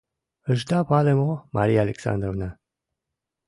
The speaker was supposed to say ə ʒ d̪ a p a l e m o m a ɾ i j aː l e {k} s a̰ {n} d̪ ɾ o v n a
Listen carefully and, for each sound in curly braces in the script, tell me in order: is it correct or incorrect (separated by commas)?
correct, correct